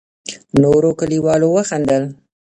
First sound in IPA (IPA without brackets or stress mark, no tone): n